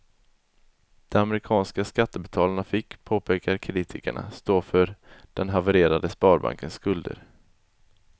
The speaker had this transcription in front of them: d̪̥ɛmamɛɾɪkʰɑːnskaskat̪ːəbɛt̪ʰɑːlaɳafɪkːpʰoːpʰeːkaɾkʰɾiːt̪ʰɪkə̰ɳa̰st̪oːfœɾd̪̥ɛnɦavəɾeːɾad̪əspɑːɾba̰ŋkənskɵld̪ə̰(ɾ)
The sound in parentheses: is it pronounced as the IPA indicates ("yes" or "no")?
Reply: yes